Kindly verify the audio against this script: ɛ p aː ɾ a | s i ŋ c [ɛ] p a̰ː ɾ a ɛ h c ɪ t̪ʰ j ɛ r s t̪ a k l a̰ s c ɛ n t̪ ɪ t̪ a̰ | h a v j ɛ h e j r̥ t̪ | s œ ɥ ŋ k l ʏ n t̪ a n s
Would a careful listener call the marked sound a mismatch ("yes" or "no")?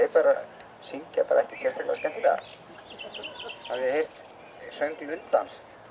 yes